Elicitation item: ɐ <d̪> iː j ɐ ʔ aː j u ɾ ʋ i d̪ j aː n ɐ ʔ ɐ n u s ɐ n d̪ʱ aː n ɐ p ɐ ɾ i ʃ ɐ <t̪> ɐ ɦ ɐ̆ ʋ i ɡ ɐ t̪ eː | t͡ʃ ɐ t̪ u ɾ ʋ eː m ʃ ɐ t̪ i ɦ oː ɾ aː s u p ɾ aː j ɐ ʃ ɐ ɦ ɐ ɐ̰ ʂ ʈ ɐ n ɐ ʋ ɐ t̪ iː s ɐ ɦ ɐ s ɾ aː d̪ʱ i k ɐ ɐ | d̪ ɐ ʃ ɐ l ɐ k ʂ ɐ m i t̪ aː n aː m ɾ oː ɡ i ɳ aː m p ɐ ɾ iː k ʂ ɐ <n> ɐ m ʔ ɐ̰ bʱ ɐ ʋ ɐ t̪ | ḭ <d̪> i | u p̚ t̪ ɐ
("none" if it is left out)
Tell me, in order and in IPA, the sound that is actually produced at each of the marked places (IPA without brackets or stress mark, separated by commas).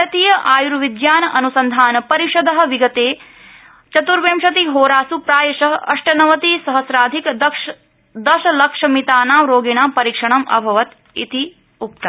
t̪, d̪, ɳ, t̪